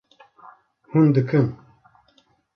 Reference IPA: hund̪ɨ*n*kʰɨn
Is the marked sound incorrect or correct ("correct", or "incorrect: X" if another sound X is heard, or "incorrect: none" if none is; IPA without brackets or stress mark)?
incorrect: none